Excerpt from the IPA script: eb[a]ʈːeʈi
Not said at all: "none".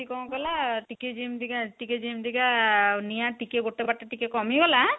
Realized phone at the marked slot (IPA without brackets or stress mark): a